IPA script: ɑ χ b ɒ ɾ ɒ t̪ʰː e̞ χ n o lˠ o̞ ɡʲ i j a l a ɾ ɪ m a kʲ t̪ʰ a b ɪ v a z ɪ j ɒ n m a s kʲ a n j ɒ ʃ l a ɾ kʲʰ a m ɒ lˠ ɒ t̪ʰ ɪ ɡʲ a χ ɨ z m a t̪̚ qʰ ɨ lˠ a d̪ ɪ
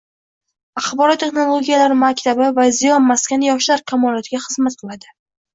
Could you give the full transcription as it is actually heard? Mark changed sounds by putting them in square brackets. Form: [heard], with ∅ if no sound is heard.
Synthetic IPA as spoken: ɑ χ b ɒ ɾ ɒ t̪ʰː e̞ χ n o lˠ o̞ ɡʲ i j a l a ɾ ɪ m a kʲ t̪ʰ a b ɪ v a z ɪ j ɒ n m a s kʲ a n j ɒ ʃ l a ɾ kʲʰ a m ɒ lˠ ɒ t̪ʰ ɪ ɡʲ a χ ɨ z m a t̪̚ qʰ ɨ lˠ a d̪ ɪ